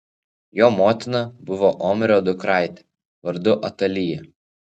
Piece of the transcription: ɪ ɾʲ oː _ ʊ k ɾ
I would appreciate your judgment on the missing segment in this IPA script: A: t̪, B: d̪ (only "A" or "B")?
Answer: B